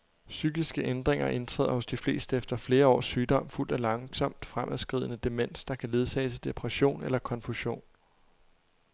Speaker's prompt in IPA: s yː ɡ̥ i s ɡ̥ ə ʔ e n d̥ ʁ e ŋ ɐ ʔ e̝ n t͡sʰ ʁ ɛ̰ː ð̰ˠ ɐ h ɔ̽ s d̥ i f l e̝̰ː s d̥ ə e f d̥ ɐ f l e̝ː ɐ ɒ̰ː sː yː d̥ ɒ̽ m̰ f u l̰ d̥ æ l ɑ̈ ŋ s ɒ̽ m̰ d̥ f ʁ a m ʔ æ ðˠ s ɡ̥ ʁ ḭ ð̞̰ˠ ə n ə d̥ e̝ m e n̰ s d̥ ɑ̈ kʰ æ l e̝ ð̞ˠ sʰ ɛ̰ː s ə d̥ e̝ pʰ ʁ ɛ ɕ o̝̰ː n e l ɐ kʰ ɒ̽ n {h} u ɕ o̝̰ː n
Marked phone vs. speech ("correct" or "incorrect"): incorrect